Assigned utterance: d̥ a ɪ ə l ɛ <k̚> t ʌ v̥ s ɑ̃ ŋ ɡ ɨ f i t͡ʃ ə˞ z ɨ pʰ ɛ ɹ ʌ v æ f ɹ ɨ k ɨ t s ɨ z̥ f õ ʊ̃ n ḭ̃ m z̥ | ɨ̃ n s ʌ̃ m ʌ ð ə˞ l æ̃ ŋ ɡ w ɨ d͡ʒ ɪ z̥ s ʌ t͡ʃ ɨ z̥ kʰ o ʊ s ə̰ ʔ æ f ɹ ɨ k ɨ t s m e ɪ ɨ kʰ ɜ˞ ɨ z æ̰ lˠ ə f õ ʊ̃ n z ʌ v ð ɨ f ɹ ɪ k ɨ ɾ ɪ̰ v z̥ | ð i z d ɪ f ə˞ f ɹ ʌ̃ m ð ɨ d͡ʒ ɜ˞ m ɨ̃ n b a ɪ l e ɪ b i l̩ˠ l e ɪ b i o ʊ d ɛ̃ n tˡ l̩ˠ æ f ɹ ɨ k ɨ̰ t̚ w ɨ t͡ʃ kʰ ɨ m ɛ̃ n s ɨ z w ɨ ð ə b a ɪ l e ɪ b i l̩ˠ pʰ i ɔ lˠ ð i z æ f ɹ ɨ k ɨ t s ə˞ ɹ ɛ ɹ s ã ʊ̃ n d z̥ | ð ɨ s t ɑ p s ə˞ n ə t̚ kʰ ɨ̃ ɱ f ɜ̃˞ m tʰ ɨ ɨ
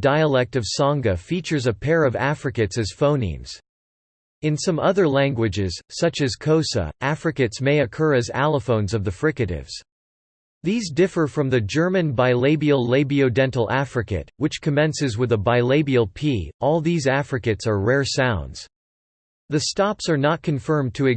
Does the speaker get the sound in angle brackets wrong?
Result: no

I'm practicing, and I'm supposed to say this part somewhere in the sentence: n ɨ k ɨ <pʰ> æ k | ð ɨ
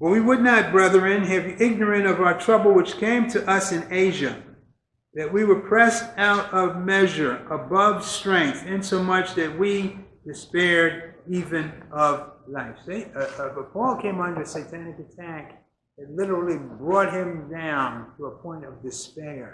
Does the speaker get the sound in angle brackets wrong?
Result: yes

